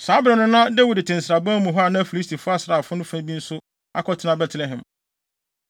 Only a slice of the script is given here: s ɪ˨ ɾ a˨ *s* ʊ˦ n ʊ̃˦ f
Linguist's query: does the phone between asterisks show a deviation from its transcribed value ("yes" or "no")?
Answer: yes